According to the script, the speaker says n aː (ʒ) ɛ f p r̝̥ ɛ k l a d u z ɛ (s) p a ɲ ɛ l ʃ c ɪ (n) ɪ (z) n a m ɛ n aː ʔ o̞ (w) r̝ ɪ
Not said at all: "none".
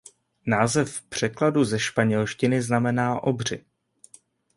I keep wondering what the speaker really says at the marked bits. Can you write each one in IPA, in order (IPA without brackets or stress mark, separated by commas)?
z, ʃ, n, z, b